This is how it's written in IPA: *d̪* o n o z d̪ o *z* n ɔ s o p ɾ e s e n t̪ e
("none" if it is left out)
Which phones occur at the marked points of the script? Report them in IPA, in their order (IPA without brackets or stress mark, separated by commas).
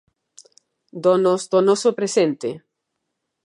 d̪, none